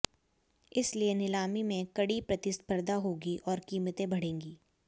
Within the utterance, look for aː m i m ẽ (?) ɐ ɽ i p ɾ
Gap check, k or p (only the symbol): k